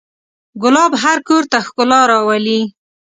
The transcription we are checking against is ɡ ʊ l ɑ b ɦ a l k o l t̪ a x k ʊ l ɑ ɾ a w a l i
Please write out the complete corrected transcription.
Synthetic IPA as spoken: ɡ ʊ l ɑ b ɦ a ɾ k o ɾ t̪ a x k ʊ l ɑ ɾ ɑ w a l i